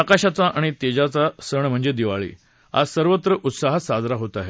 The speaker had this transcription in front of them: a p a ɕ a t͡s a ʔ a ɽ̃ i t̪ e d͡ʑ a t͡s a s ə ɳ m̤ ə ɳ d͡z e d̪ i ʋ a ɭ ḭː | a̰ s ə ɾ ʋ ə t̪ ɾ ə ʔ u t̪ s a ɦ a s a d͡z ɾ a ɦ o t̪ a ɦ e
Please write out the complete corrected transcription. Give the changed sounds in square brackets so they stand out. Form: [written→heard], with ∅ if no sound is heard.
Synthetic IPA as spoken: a [p→k] a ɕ a t͡s a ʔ a ɽ̃ i t̪ e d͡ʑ a t͡s a s ə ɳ m̤ ə ɳ d͡z e d̪ i ʋ a ɭ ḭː | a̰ s ə ɾ ʋ ə t̪ ɾ ə ʔ u t̪ s a ɦ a s a d͡z ɾ a ɦ o t̪ a ɦ e